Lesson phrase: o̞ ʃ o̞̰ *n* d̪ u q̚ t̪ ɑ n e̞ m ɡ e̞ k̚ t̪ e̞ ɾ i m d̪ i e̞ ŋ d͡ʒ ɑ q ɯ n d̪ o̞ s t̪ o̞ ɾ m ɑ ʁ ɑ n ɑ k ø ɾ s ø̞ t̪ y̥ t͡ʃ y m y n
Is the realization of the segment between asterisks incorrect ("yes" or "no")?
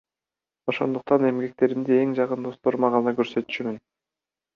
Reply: no